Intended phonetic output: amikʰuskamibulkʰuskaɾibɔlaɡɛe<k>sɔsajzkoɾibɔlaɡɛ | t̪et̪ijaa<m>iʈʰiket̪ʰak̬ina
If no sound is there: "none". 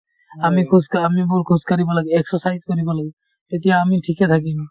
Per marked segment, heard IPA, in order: k, m

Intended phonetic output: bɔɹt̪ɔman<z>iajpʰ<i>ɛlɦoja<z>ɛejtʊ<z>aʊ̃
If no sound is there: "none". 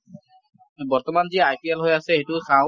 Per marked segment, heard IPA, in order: z, i, s, s

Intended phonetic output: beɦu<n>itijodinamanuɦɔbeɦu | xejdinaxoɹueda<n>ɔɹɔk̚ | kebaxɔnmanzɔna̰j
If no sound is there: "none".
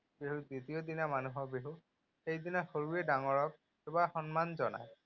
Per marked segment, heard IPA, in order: d, ŋ

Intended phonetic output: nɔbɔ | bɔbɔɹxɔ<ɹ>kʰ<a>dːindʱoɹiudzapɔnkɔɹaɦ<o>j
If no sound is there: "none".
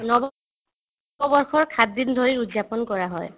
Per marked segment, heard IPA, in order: ɹ, a, ɔ

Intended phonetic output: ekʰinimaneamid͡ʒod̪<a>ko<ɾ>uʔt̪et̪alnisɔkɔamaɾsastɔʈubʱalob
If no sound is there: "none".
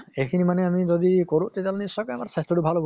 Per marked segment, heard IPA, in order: i, ɾ

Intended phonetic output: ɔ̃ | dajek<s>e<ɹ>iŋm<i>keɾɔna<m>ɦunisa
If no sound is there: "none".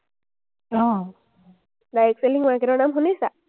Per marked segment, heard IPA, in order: s, l, a, m

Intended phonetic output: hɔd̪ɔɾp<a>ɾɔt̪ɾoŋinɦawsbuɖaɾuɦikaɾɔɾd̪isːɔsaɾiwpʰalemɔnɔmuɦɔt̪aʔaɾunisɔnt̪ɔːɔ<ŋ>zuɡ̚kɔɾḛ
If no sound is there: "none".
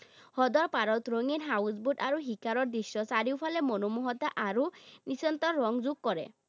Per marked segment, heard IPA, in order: a, ŋ

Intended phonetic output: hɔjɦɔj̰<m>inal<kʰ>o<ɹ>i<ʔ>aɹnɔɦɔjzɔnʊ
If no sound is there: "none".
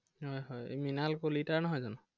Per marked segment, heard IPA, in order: m, k, l, t

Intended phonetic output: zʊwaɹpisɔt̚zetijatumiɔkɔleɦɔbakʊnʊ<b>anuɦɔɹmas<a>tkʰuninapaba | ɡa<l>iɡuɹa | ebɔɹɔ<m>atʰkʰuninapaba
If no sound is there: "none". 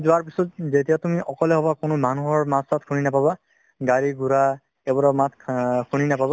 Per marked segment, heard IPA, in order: m, a, ɹ, m

